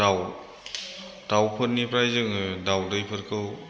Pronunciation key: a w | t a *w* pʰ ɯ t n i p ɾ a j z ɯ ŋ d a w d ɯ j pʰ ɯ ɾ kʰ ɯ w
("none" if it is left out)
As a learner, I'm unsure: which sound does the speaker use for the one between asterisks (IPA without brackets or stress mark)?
w